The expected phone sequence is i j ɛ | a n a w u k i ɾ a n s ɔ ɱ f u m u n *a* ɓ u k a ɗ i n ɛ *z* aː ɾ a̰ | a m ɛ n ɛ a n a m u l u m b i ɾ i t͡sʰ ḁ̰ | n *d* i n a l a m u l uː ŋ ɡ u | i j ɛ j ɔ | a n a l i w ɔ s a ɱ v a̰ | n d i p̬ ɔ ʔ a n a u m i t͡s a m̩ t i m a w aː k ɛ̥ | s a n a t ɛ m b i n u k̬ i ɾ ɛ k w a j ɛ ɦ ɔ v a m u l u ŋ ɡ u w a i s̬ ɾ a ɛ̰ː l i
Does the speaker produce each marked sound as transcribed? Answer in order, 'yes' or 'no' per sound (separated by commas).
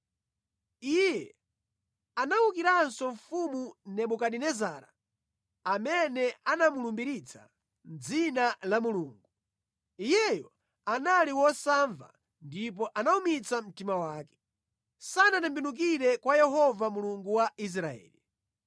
no, yes, no